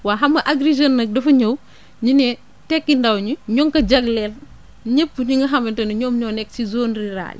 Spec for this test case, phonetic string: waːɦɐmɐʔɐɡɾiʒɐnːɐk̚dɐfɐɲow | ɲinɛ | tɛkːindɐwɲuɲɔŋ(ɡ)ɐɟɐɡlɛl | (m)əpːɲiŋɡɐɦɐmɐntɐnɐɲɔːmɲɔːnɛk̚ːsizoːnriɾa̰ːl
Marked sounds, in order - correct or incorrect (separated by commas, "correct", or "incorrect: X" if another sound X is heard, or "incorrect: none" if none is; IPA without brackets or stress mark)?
incorrect: k, incorrect: ɲ